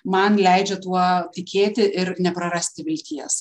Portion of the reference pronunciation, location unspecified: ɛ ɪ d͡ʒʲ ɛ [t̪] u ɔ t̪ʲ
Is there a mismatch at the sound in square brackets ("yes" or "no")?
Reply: no